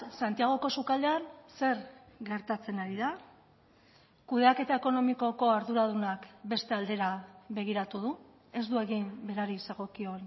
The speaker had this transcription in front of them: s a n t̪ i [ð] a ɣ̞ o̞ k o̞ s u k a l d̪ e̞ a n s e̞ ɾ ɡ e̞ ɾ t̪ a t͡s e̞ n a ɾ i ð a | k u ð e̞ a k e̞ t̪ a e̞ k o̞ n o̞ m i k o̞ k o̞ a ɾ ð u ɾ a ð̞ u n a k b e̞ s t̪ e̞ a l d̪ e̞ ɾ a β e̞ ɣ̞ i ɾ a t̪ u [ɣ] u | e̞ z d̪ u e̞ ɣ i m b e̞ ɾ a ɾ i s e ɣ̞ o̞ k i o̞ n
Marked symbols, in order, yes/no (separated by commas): no, no